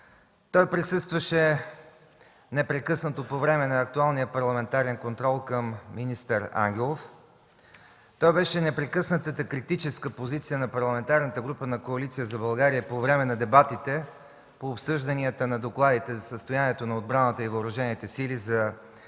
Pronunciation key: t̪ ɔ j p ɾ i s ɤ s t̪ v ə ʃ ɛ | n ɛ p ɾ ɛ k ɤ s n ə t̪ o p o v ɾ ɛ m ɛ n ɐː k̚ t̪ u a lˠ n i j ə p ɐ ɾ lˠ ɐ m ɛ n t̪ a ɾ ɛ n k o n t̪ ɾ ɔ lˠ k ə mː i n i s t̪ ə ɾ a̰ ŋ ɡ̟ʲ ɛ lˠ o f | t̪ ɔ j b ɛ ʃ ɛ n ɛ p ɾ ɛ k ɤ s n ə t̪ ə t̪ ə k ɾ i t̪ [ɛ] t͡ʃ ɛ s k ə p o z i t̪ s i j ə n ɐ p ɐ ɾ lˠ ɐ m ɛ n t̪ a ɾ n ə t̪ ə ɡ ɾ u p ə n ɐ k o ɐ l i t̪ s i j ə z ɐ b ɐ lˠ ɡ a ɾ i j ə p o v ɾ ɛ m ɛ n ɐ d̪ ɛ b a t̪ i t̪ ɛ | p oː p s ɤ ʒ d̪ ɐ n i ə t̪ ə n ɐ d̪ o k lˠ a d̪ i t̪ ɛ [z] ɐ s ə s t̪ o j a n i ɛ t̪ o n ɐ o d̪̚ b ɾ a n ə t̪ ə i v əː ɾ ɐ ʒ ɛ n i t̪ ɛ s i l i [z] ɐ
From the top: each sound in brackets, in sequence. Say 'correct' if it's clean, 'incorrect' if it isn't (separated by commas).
incorrect, correct, correct